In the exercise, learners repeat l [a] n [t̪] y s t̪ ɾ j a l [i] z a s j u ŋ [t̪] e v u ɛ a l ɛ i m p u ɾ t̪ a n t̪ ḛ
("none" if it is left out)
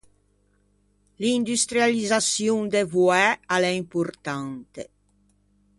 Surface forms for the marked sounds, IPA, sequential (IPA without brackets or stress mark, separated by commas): i, d̪, i, d̪